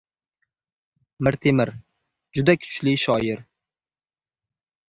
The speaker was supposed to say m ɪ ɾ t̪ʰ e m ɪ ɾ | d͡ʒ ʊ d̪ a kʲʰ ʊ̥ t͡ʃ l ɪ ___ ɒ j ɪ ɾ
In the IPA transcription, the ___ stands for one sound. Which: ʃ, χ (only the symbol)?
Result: ʃ